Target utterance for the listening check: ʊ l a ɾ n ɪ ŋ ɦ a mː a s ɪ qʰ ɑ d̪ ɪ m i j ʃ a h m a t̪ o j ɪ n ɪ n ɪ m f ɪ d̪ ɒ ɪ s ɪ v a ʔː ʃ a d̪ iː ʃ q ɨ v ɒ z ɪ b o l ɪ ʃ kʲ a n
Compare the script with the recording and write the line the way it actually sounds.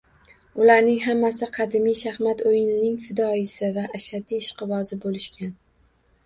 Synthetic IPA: ʊ l a ɾ n ɪ ŋ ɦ a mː a s ɪ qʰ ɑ d̪ ɪ m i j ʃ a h m a t̪ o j ɪ n ɪ n ɪ ŋ f ɪ d̪ ɒ ɪ s ɪ v a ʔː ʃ a d̪ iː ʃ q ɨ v ɒ z ɪ b o l ɪ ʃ kʲ a n